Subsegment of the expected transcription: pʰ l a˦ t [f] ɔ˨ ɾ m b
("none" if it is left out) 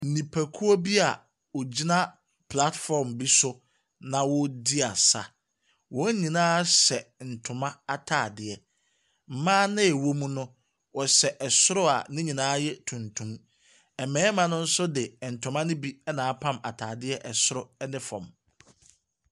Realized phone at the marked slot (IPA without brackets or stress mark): f